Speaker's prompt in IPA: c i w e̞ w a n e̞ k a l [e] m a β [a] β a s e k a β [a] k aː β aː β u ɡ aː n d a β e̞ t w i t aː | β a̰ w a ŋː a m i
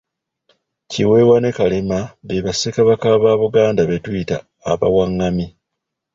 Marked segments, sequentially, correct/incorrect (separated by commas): correct, incorrect, correct